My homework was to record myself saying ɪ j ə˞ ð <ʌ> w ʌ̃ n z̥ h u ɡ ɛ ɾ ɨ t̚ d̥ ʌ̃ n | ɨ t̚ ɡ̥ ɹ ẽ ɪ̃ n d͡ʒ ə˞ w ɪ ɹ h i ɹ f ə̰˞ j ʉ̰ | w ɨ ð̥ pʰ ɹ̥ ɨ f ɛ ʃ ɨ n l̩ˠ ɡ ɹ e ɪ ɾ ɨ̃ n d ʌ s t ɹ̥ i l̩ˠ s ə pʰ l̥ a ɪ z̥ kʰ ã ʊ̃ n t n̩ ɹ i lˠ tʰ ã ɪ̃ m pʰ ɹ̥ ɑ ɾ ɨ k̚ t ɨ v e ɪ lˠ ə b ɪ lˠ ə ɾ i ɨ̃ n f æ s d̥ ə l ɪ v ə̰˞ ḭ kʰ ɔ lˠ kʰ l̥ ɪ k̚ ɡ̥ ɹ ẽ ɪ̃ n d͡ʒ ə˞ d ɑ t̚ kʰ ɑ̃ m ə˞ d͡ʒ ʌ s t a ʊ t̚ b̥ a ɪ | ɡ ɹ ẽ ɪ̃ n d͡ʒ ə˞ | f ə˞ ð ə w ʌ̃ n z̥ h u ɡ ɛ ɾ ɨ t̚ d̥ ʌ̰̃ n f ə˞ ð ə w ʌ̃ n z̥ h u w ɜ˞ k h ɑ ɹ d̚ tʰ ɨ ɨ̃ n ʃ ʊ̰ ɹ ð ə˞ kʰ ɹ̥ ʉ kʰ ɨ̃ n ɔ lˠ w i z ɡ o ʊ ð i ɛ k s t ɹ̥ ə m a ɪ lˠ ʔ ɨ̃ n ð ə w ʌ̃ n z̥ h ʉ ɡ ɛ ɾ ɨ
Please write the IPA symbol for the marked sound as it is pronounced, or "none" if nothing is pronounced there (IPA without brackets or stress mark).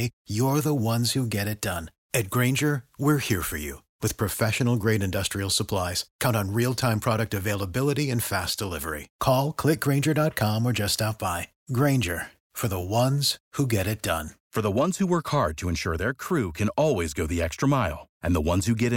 ə